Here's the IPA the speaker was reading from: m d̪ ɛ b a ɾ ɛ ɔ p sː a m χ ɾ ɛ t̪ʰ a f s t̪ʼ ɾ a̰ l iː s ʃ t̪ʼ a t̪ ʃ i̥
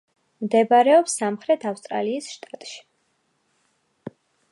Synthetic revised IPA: m d̪ ɛ b a ɾ ɛ ɔ p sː a m χ ɾ ɛ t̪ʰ a f s t̪ʼ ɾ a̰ l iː s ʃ t̪ʼ a t̪ʼ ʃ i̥